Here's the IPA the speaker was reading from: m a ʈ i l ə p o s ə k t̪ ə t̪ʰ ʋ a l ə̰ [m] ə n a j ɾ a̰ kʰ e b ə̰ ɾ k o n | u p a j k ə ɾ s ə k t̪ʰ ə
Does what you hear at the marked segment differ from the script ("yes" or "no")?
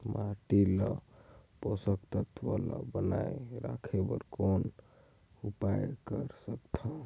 yes